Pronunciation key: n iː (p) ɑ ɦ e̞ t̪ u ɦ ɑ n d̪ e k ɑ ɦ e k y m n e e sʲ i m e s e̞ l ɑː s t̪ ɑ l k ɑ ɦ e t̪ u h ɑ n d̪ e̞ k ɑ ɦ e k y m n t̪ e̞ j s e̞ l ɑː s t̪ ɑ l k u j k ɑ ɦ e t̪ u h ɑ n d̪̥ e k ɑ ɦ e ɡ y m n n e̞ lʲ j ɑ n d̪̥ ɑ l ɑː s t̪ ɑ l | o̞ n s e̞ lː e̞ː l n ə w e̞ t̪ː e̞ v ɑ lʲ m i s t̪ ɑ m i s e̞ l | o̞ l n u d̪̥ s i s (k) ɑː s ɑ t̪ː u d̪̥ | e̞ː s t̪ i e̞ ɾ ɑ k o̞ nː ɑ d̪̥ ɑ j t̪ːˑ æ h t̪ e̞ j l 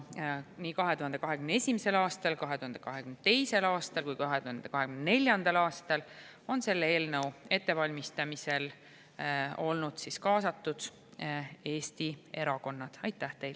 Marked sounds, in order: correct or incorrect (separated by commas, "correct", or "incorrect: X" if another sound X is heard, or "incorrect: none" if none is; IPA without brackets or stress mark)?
incorrect: k, correct